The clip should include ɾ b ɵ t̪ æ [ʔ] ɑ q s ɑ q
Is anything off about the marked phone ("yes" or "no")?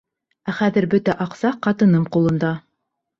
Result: no